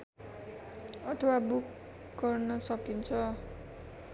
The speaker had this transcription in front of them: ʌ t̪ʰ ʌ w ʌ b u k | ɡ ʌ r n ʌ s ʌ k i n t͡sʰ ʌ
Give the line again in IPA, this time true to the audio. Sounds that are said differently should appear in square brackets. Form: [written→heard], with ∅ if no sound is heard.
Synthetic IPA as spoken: ʌ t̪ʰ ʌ w [ʌ→a] b u k | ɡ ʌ r n ʌ s ʌ k i n t͡sʰ ʌ